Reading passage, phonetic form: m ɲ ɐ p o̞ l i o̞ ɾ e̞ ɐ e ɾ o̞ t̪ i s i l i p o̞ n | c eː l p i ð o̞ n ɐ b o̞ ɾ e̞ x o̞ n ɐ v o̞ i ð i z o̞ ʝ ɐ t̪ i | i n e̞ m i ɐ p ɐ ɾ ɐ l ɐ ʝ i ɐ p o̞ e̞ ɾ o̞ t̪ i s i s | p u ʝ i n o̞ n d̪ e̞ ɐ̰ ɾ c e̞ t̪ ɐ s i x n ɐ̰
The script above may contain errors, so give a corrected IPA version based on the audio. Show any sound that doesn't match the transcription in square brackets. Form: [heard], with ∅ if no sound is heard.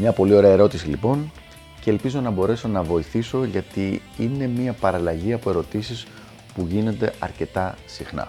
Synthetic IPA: m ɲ ɐ p o̞ l i o̞ ɾ e̞ ɐ e ɾ o̞ t̪ i s i l i p o̞ n | c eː l p i [z] o̞ n ɐ b o̞ ɾ e̞ [s] o̞ n ɐ v o̞ i [θ] i [s] o̞ ʝ ɐ t̪ i | i n e̞ m i ɐ p ɐ ɾ ɐ l ɐ ʝ i ɐ p o̞ e̞ ɾ o̞ t̪ i s i s | p u ʝ i n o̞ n d̪ e̞ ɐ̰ ɾ c e̞ t̪ ɐ s i x n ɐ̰